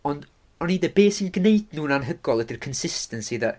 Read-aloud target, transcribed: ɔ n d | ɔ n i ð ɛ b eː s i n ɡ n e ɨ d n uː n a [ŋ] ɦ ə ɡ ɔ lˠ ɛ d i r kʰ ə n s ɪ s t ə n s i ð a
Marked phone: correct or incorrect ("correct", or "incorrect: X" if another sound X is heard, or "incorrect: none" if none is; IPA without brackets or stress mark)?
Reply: incorrect: n